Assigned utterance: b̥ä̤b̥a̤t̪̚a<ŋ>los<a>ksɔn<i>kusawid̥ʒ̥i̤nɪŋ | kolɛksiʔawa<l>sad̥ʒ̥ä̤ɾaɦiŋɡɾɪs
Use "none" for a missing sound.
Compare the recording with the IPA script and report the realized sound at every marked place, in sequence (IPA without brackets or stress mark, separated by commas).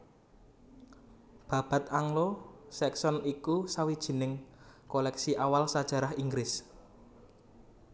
ŋ, ɛ, i, l